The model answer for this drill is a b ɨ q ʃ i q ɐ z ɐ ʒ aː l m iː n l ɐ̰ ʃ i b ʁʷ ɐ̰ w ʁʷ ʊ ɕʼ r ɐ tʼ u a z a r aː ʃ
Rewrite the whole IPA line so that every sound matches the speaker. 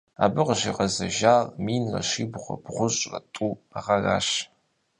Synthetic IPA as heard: a b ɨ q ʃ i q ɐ z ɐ ʒ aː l m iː n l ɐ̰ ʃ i b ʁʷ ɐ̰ b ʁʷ ʊ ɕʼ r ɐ tʼ u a ʁ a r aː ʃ